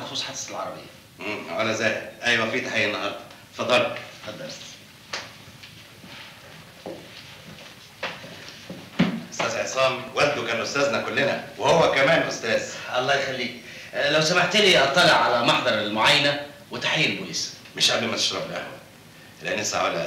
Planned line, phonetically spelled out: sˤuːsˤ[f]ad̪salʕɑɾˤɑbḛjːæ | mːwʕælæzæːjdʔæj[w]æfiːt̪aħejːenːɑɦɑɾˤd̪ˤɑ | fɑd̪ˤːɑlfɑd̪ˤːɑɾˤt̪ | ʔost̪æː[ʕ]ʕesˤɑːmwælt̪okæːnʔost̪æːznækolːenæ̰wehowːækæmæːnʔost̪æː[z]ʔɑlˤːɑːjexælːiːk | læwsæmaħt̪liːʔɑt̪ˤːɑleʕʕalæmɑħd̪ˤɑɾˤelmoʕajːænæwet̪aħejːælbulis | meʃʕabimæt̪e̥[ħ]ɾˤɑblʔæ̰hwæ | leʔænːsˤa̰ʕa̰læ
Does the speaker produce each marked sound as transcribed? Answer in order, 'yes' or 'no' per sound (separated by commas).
no, yes, no, yes, no